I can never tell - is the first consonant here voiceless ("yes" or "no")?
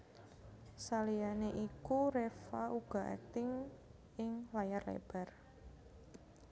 yes